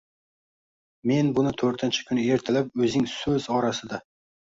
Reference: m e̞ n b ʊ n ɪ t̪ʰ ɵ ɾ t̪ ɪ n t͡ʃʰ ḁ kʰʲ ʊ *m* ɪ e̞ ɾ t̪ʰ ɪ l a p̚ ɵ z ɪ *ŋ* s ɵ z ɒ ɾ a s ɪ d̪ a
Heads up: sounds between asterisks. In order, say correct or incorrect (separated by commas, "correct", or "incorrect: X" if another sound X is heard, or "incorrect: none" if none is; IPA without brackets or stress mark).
incorrect: n, correct